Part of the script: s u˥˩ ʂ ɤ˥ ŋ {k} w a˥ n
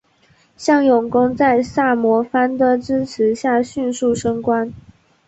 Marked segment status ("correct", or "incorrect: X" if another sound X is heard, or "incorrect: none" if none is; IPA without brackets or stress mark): correct